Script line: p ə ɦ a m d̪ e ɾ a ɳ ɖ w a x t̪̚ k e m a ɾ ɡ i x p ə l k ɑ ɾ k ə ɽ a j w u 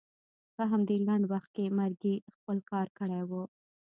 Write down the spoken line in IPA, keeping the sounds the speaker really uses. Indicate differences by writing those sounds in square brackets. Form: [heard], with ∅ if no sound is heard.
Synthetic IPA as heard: p ə ɦ a m d̪ e [l] a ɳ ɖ w a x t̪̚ k e m a ɾ ɡ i x p ə l k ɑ ɾ k ə ɽ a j w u